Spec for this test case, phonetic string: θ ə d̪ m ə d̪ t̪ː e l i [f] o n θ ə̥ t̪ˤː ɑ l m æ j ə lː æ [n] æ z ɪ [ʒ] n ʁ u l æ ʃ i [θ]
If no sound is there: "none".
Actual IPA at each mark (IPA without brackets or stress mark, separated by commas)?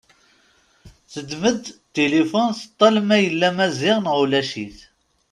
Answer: f, m, ʁ, θ